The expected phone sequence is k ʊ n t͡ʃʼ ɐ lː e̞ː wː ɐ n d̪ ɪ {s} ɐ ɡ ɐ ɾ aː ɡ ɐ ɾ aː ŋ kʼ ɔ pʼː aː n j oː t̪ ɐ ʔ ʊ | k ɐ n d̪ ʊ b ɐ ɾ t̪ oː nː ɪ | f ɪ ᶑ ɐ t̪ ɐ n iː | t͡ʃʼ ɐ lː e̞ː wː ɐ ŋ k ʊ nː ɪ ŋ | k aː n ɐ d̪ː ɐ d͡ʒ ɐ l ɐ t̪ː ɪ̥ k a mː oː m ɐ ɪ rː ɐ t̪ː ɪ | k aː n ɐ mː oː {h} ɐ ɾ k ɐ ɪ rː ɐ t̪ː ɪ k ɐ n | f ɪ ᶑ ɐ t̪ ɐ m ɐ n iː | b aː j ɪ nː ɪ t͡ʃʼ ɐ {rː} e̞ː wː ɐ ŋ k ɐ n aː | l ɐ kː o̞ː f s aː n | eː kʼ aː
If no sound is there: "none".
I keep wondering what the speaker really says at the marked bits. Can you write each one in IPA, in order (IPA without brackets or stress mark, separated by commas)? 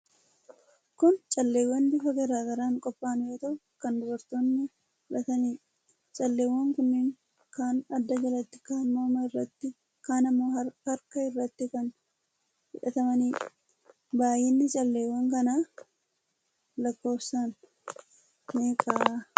f, h, lː